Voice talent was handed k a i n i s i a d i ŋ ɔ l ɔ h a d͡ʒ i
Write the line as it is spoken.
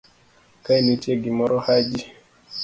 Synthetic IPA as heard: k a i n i t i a ɡ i m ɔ ɾ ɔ h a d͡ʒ i